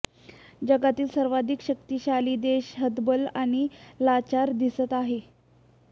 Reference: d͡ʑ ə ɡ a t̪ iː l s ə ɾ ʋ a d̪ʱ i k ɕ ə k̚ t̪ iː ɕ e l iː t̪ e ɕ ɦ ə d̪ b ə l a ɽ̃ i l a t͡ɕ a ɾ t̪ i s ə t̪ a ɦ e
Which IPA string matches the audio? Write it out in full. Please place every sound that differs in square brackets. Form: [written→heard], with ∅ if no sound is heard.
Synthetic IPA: d͡ʑ ə ɡ a t̪ iː l s ə ɾ ʋ a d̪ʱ i k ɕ ə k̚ t̪ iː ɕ [e→a] l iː [t̪→d̪] e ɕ ɦ ə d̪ b ə l a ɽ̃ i l a t͡ɕ a ɾ [t̪→d̪] i s ə t̪ a ɦ e